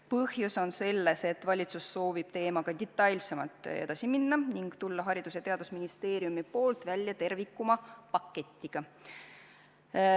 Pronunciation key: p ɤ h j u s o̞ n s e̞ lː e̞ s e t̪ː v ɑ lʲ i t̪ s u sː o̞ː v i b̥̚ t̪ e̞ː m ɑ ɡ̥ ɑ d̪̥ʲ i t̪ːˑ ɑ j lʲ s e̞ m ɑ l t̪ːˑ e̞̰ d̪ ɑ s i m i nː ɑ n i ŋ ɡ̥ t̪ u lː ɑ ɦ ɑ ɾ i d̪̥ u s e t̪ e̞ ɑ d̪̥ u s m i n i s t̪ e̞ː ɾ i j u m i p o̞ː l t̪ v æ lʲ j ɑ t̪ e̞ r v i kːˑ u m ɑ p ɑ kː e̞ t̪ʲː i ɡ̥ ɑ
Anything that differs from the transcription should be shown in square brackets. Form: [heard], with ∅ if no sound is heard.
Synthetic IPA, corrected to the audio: p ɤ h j u s o̞ n s e̞ lː e̞ s e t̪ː v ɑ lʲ i t̪ s u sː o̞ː v i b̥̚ t̪ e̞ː m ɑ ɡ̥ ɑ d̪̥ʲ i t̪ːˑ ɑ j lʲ s e̞ m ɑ l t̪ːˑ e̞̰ d̪ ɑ s i m i nː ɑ n i ŋ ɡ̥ t̪ u lː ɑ ɦ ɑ ɾ i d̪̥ u s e t̪ e̞ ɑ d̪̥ u s m i n i s t̪ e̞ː ɾ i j u m i p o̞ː l t̪ v æ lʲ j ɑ t̪ e̞ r v i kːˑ u m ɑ p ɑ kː e̞ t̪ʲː i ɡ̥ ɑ